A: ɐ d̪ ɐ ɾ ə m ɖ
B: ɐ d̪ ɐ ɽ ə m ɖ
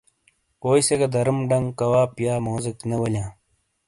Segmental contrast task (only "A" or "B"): A